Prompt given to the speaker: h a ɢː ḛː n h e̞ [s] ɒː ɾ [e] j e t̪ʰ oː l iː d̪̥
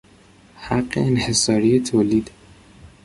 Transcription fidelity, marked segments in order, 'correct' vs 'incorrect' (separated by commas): correct, incorrect